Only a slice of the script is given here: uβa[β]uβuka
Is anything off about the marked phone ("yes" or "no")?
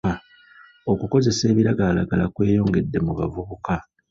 yes